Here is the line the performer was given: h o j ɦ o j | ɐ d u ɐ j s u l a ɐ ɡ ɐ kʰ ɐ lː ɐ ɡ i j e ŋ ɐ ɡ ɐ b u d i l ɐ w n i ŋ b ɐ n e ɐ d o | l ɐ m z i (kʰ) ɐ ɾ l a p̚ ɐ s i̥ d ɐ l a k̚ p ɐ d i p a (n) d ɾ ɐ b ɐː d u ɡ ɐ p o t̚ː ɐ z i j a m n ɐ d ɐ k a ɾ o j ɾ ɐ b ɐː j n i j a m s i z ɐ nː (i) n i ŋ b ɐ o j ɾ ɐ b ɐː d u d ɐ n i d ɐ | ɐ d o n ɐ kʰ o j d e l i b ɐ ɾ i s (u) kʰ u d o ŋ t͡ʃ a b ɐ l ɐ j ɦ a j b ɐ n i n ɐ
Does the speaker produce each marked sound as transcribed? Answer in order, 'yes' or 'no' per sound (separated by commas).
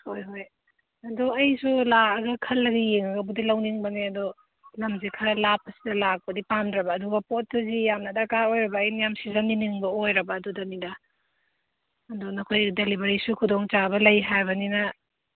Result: yes, no, yes, yes